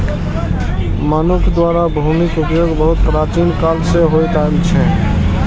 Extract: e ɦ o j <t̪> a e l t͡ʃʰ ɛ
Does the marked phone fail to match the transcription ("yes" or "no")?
no